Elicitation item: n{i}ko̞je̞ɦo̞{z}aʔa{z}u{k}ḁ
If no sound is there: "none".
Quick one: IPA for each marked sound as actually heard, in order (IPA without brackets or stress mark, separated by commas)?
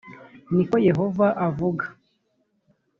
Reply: i, v, v, ɡ